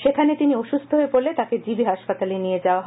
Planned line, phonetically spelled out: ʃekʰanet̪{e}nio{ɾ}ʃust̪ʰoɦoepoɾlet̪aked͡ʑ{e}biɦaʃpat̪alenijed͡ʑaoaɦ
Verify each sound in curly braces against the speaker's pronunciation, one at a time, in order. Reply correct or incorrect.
incorrect, incorrect, incorrect

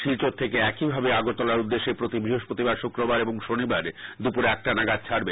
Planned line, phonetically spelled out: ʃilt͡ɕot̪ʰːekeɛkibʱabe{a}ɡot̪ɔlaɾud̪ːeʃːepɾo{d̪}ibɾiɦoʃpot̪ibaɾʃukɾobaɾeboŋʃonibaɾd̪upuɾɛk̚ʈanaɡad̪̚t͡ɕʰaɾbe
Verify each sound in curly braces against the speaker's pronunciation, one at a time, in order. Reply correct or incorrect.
correct, incorrect

